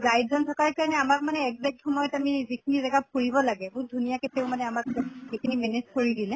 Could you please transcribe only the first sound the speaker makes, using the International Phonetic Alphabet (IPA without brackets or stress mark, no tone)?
z